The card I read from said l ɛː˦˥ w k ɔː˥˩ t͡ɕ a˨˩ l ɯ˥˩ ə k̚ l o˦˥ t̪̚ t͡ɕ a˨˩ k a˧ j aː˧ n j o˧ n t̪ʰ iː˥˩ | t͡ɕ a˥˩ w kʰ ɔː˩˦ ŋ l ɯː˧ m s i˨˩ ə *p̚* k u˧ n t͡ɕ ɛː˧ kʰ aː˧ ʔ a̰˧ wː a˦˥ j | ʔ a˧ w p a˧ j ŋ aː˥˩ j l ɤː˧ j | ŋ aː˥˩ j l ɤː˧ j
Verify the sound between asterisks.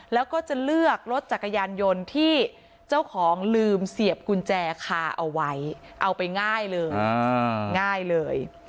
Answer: correct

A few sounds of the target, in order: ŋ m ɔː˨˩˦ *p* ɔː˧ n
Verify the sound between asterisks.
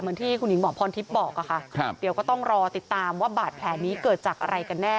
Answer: incorrect: pʰ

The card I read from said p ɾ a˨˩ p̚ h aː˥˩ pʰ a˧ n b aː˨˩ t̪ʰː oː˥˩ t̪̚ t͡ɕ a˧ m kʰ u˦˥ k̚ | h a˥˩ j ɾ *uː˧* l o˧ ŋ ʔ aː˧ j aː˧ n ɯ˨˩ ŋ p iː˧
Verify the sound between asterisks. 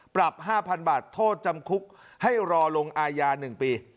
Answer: incorrect: ɔː˧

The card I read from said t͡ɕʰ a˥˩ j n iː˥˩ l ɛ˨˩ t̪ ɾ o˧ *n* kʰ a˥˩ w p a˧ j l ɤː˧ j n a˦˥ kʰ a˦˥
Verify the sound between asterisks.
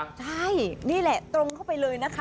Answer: incorrect: ŋ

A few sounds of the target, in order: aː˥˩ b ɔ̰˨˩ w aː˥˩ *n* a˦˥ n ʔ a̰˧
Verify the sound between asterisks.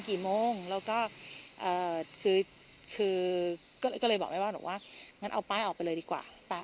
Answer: incorrect: ŋ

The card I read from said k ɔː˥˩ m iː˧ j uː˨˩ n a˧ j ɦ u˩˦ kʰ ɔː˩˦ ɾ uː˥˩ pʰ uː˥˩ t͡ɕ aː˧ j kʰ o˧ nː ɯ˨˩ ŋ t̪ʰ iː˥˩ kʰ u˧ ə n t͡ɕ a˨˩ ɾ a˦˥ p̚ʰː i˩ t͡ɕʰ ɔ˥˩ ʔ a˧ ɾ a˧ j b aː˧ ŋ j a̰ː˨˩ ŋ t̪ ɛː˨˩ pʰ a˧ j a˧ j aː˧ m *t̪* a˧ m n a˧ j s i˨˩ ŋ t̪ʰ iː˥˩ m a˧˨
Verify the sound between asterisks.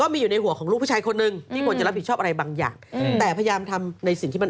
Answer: incorrect: t̪ʰ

